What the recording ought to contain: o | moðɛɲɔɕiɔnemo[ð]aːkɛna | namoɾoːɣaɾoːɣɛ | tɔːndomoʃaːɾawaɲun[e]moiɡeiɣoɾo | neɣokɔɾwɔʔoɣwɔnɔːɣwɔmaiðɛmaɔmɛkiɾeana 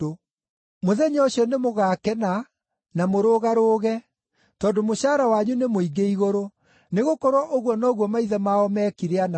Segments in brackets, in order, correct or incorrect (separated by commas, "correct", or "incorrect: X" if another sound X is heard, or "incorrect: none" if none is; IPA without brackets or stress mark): incorrect: ɣ, correct